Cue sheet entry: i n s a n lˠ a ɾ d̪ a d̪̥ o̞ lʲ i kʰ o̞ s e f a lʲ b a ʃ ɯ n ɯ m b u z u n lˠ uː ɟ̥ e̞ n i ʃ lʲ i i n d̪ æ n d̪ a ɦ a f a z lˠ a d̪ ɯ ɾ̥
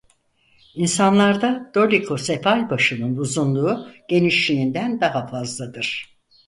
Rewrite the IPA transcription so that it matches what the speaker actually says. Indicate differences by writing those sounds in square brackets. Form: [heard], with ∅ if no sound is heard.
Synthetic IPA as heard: i n s a n lˠ a ɾ d̪ a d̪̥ o̞ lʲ i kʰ o̞ s e f a lʲ b a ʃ ɯ n ɯ [n] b u z u n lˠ uː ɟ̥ e̞ n i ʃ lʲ i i n d̪ æ n d̪ a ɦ a f a z lˠ a d̪ ɯ ɾ̥